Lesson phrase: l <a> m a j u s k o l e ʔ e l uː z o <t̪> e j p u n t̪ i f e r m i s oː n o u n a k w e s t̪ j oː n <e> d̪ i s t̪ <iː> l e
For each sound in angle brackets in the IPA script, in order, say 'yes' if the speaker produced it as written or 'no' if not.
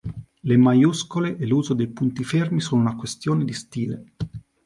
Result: no, no, yes, yes

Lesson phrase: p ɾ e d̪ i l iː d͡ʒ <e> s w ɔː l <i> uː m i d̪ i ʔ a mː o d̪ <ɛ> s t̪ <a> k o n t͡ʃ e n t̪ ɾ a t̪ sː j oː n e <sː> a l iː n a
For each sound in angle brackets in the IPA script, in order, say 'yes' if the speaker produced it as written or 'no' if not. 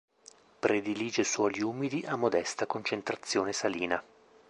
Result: yes, yes, yes, yes, no

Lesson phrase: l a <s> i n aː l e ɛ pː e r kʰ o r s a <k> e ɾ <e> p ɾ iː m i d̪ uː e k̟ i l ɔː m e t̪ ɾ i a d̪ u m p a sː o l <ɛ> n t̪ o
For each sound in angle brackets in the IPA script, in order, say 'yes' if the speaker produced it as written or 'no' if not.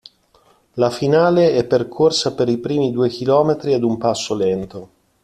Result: no, no, no, yes

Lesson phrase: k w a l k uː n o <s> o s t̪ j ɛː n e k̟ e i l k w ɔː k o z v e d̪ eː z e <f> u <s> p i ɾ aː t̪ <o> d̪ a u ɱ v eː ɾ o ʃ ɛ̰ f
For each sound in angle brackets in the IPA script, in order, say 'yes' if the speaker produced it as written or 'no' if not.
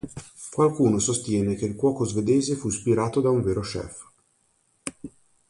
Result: yes, yes, yes, yes

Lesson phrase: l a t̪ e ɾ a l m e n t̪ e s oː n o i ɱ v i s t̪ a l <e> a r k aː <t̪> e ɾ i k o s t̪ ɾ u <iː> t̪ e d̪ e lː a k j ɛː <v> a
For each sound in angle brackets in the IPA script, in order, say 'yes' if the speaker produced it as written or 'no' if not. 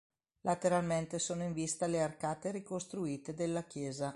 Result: yes, yes, yes, no

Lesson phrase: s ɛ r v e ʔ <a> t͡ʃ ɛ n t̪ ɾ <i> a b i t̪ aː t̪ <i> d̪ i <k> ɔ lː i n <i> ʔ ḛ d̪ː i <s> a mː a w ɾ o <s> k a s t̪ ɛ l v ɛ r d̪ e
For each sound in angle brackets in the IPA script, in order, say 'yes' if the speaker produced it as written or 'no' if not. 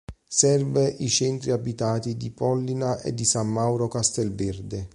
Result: no, yes, yes, no, no, yes, no

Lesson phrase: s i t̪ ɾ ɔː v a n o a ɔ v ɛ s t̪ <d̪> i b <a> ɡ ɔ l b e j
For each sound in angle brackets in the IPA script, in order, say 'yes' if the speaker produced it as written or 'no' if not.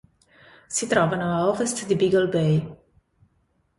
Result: yes, no

